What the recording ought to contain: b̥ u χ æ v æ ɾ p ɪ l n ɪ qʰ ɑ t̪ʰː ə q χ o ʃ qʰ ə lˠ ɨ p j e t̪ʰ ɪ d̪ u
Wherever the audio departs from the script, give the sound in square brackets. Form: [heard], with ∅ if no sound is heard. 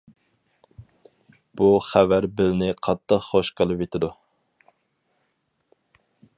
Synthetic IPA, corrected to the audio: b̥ u χ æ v æ ɾ [b] ɪ l n ɪ qʰ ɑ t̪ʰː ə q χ o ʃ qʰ ə lˠ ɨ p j e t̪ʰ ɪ d̪ u